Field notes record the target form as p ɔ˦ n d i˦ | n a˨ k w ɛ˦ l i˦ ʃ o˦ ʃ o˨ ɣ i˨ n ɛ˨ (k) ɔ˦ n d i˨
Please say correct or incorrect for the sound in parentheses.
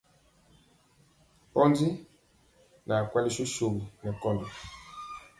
correct